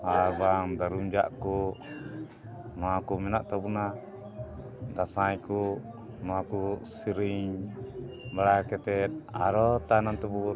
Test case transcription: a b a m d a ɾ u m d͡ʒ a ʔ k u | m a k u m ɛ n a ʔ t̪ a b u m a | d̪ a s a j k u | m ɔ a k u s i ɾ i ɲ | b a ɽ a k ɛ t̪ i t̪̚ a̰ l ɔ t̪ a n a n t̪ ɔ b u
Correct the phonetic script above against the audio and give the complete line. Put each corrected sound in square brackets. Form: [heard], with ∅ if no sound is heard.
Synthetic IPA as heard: a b a [ŋ] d a ɾ u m d͡ʒ a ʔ k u | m a k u m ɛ n a ʔ t̪ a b u [n] a | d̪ a s a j k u | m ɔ a k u s i ɾ i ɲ | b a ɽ a k ɛ t̪ [ɛ] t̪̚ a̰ [ɾ] ɔ t̪ a n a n t̪ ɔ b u

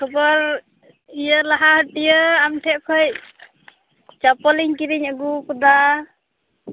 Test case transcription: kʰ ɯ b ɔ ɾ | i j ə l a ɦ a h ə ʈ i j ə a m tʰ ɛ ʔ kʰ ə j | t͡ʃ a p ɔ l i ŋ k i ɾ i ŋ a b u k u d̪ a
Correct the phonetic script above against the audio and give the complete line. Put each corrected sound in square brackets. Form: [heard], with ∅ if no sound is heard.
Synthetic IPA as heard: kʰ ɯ b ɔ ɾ | i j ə l a ɦ a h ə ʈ i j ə a m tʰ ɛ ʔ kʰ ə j | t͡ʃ a p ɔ l i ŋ k i ɾ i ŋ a [ɡ] u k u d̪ a

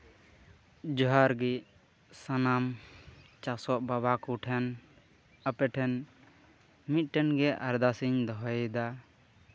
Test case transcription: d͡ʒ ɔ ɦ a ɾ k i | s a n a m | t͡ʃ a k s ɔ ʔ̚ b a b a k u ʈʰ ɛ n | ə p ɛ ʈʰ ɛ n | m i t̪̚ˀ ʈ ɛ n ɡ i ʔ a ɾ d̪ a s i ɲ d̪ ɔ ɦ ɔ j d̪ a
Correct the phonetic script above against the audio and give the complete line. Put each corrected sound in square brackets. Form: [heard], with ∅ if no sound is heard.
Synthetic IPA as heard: d͡ʒ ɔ ɦ a ɾ [ɡ] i | s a n a m | t͡ʃ a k s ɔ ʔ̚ b a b a k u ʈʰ ɛ n | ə p ɛ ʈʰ ɛ n | m i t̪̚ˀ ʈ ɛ n ɡ [ɛ] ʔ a ɾ d̪ a s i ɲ d̪ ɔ ɦ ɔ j d̪ a

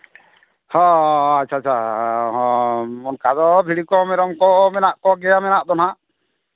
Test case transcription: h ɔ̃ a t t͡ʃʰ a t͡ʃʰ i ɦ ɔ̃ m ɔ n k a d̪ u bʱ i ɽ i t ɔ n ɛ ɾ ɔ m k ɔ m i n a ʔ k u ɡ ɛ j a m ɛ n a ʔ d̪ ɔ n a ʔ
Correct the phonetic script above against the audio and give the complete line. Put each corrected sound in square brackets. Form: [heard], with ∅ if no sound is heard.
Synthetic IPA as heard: h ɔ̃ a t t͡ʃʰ a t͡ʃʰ [a] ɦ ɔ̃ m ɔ n k a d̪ [ɔ] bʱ i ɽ i [k] ɔ [m] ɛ ɾ ɔ m k ɔ m [ɛ] n a ʔ k [ɔ] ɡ ɛ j a m ɛ n a ʔ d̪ ɔ n a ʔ

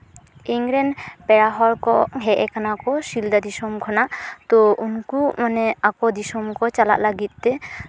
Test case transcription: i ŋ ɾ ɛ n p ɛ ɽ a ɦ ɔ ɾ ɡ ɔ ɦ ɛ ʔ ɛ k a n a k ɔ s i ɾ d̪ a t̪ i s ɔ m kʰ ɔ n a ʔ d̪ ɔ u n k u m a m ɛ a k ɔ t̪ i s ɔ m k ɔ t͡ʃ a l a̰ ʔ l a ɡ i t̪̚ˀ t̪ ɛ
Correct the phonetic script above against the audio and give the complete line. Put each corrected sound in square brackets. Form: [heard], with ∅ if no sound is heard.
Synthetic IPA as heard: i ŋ ɾ ɛ n p ɛ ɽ a ɦ ɔ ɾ [k] ɔ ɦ ɛ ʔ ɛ k a n a k ɔ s i [l] d̪ a [d̪] i s ɔ m kʰ ɔ n a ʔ [t̪] ɔ u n k u m a [n] ɛ a k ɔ [d̪] i s ɔ m k ɔ t͡ʃ a l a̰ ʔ l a ɡ i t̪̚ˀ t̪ ɛ

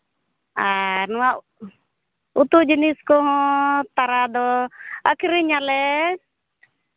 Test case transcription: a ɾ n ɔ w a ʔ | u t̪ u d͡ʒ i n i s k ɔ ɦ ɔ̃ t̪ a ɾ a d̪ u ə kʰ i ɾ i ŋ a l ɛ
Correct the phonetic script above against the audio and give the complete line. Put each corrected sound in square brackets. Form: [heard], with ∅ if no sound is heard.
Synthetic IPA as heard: a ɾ n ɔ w a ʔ | u t̪ u d͡ʒ i n i s k ɔ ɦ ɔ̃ t̪ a ɾ a d̪ [ɔ] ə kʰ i ɾ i [ɲ] a l ɛ

